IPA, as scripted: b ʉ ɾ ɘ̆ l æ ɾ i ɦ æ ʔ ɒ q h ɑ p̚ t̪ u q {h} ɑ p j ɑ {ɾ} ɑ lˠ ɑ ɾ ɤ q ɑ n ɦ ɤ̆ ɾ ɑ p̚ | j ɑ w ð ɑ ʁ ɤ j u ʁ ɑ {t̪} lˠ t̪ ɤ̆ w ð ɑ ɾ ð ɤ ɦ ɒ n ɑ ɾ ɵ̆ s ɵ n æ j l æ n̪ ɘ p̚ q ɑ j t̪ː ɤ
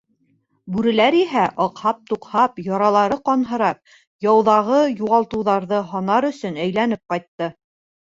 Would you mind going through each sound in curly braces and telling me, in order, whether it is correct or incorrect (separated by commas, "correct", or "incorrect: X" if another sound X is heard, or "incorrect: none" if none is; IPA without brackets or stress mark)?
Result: correct, correct, incorrect: none